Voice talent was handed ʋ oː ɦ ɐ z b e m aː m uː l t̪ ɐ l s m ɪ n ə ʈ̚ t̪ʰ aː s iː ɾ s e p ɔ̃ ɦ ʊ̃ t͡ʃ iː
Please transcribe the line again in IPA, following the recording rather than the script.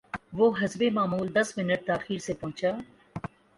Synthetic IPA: ʋ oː ɦ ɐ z b e m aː m uː l d̪ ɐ s m ɪ n ə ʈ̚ t̪ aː x iː ɾ s e p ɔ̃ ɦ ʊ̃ t͡ʃ aː